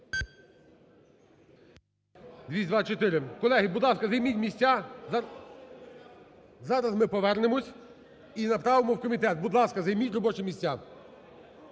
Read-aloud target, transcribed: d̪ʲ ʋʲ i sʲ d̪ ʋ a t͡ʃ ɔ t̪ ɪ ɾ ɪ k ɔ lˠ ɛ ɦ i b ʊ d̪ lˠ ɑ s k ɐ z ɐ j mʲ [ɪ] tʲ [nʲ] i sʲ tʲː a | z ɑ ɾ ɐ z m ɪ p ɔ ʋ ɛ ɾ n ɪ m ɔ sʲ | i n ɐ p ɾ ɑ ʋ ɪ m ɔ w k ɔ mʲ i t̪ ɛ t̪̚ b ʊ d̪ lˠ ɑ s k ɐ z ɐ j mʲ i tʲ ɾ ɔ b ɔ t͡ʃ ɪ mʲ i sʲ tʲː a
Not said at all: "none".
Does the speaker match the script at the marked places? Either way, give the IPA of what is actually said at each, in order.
i, mʲ

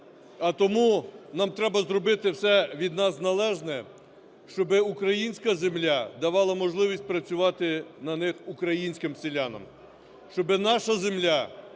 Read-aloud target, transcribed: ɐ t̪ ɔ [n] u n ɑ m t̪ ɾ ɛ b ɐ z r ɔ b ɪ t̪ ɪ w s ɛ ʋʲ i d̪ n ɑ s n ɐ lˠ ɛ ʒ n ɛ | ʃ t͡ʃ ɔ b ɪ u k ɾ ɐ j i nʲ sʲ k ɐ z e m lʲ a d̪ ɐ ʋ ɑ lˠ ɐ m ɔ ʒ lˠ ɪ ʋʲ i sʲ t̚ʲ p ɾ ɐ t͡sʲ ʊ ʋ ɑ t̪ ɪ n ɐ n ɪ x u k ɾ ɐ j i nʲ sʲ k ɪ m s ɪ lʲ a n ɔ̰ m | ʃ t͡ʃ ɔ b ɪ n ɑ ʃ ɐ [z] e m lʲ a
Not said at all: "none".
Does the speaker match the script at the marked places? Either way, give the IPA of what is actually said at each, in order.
m, z

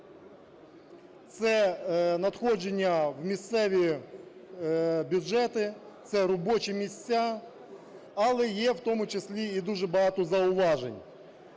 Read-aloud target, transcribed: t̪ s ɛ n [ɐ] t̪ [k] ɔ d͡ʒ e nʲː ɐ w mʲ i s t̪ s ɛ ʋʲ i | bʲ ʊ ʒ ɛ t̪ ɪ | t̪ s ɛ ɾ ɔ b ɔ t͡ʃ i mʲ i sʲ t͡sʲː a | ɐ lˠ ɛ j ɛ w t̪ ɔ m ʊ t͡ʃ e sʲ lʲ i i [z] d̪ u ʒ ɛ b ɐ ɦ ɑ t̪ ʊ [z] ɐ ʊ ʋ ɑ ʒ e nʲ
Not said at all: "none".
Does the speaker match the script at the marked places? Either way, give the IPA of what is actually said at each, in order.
ɐ, x, none, z

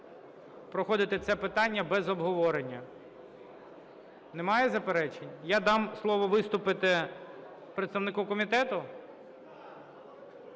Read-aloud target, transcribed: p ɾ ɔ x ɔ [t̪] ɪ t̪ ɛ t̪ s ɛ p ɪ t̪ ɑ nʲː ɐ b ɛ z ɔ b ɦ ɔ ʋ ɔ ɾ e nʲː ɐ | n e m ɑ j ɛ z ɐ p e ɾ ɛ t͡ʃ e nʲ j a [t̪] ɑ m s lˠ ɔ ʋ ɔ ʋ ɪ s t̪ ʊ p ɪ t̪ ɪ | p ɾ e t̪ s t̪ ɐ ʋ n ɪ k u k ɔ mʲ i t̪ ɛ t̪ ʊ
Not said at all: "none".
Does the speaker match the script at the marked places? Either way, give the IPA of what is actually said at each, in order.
d̪, d̪

